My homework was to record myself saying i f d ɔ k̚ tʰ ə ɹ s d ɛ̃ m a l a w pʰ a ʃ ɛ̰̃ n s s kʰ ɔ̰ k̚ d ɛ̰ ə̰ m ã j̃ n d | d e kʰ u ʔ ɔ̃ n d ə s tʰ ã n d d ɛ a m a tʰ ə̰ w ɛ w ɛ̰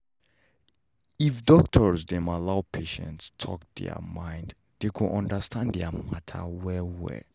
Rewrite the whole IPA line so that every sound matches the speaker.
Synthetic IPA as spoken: i f d ɔ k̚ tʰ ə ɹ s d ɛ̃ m a l a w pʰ e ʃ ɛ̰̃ n t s tʰ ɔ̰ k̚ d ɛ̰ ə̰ m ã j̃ n d | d e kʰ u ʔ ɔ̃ n d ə s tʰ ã n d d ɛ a m a tʰ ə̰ w ɛ w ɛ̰